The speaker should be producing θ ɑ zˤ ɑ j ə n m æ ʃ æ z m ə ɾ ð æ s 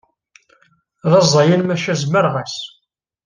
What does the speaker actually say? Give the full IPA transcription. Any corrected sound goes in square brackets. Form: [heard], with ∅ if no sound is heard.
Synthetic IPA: [ð] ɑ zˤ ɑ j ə n m æ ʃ æ z m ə ɾ [ʁ] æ s